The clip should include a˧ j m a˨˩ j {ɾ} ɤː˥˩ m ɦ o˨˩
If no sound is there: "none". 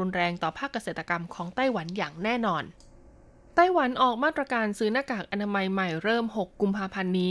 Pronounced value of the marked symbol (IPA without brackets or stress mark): ɾ